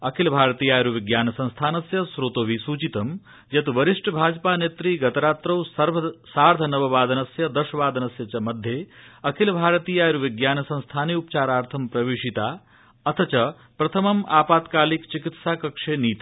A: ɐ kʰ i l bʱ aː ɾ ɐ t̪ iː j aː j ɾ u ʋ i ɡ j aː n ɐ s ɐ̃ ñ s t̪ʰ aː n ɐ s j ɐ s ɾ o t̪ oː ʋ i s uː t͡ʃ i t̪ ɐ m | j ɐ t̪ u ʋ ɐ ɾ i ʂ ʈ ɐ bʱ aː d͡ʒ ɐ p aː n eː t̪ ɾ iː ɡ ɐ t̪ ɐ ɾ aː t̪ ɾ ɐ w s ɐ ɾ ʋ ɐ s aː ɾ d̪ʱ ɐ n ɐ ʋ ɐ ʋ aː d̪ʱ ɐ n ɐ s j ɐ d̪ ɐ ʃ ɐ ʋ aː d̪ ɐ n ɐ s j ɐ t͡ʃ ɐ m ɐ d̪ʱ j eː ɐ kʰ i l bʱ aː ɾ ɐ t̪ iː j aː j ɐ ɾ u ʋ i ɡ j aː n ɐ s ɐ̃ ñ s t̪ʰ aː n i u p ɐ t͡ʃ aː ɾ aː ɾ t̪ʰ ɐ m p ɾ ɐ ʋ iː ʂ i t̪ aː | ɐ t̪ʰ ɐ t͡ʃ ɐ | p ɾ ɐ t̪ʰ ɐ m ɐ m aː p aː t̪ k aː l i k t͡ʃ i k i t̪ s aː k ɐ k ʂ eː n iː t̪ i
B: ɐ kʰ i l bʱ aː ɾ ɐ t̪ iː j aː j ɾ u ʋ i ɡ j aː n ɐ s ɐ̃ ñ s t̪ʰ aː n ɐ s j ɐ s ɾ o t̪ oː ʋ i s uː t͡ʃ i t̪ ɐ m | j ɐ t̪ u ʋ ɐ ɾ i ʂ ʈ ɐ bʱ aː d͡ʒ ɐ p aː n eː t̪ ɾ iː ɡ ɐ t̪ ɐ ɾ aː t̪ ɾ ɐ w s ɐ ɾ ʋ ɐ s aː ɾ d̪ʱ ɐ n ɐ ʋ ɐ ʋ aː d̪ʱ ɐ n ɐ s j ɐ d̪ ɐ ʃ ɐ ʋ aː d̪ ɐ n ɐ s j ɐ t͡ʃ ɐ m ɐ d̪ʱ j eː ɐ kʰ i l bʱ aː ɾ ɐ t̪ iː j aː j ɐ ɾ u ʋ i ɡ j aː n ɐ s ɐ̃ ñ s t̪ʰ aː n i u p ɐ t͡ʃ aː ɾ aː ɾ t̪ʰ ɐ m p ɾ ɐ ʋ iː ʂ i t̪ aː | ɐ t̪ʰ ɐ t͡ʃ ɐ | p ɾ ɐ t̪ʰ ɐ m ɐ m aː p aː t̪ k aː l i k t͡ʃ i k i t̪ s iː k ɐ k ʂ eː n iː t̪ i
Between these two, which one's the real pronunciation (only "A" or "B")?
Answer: A